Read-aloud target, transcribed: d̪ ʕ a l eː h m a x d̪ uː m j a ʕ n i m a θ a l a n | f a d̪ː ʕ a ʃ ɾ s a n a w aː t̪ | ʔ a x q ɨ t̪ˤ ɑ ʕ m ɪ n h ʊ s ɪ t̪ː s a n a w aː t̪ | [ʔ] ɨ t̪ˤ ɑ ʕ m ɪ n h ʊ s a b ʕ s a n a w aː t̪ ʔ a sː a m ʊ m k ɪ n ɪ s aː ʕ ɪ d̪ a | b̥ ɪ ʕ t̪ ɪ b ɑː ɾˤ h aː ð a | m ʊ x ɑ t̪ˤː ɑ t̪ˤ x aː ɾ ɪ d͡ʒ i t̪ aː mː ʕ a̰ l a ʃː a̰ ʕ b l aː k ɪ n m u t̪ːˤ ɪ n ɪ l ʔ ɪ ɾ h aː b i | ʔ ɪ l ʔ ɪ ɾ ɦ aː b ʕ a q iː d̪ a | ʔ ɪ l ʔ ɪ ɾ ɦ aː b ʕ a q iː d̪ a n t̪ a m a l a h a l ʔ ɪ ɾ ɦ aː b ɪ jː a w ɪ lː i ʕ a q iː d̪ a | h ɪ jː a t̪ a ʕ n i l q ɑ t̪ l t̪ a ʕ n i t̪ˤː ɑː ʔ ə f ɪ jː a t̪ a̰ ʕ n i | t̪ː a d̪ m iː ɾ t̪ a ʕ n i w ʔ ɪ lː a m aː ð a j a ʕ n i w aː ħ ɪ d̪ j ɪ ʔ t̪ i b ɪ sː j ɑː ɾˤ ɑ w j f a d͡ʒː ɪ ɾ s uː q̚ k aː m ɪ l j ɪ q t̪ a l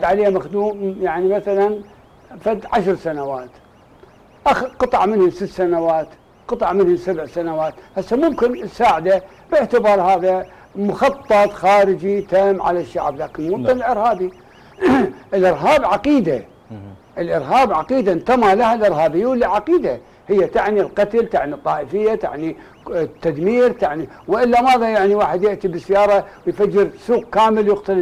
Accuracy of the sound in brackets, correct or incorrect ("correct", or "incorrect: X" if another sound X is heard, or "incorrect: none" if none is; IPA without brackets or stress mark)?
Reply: incorrect: q